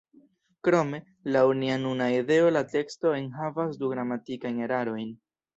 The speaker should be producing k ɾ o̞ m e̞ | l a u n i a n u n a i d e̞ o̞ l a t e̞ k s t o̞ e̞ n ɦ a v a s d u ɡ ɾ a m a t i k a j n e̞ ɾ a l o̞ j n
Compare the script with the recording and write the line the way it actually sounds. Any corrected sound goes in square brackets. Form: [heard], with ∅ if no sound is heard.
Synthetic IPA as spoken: k ɾ o̞ m e̞ | l a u n i a n u n a i d e̞ o̞ l a t e̞ k s t o̞ e̞ n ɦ a v a s d u ɡ ɾ a m a t i k a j n e̞ ɾ a [ɾ] o̞ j n